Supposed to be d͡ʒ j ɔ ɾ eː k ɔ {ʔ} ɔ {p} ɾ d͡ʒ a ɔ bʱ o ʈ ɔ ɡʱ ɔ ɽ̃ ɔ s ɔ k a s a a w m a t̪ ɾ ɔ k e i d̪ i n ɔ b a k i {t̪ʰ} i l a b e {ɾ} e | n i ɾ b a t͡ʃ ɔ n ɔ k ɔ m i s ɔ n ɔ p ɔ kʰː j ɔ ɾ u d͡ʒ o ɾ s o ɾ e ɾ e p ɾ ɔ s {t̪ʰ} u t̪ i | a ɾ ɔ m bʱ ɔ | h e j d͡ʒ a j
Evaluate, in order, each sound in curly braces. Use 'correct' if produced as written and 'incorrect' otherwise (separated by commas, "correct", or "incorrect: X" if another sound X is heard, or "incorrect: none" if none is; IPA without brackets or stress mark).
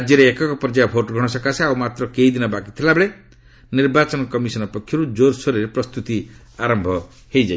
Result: incorrect: k, correct, correct, incorrect: ɭ, incorrect: t̪